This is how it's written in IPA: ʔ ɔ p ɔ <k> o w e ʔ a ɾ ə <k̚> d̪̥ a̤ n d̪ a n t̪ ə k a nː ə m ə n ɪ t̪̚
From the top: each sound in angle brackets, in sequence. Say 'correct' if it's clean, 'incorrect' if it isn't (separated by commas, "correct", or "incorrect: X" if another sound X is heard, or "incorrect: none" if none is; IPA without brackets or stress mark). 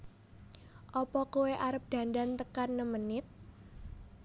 correct, incorrect: p̚